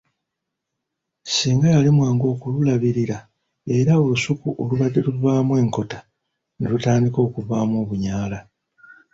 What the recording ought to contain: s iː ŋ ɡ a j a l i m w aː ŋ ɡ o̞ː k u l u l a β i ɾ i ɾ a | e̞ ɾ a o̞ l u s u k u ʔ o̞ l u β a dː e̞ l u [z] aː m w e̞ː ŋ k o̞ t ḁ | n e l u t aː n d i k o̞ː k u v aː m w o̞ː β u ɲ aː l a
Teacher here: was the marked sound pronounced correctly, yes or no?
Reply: no